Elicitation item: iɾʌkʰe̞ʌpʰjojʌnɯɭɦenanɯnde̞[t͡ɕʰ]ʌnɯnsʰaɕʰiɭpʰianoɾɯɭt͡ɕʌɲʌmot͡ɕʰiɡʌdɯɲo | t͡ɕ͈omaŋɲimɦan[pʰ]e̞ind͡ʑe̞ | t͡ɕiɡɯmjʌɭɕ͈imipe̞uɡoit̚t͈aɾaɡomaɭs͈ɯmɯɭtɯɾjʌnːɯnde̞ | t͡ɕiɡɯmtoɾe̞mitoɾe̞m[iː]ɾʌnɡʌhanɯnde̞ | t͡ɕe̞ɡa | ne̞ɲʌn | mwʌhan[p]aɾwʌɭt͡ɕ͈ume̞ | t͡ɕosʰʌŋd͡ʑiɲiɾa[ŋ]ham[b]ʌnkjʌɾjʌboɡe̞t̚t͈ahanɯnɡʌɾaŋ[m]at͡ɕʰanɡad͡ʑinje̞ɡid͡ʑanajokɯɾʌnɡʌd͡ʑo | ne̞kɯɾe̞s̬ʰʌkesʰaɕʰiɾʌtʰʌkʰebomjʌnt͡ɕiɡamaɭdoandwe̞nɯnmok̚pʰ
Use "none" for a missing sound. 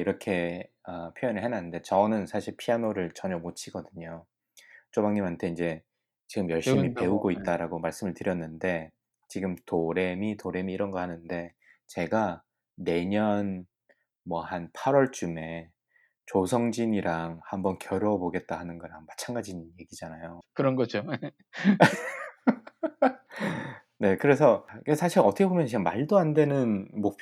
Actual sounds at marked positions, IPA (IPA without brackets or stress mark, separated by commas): t͡ɕ, tʰ, iː, pʰ, ŋ, b, m